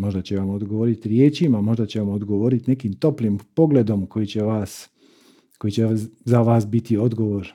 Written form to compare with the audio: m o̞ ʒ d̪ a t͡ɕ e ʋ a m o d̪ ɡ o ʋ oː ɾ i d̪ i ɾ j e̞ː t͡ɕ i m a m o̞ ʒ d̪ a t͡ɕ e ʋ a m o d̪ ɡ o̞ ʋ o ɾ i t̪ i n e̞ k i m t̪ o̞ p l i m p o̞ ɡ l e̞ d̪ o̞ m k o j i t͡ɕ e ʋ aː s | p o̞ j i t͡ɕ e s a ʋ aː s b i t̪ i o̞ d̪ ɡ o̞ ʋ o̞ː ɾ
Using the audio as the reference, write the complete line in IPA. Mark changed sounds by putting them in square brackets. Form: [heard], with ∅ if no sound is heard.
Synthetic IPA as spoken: m o̞ ʒ d̪ a t͡ɕ e ʋ a m o d̪ ɡ o ʋ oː ɾ i [t̪] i ɾ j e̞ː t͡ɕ i m a m o̞ ʒ d̪ a t͡ɕ e ʋ a m o d̪ ɡ o̞ ʋ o ɾ i t̪ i n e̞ k i m t̪ o̞ p l i m p o̞ ɡ l e̞ d̪ o̞ m k o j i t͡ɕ e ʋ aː s | [k] o̞ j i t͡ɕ e [z] a ʋ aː s b i t̪ i o̞ d̪ ɡ o̞ ʋ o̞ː ɾ